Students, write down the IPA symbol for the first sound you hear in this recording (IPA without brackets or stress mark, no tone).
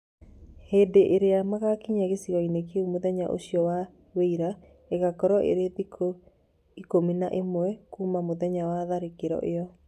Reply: h